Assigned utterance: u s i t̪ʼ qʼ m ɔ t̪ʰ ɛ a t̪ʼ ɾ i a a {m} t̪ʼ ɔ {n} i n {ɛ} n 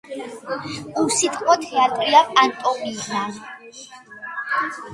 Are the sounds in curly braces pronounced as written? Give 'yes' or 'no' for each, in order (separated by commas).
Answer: no, no, no